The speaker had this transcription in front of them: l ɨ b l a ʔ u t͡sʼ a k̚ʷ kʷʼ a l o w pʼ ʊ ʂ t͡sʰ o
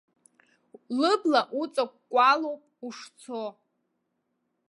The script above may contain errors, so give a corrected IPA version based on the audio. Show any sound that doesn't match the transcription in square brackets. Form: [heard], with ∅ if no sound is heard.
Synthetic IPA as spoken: l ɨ b l a ʔ u t͡sʼ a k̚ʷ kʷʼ a l o w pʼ [u] ʂ t͡sʰ o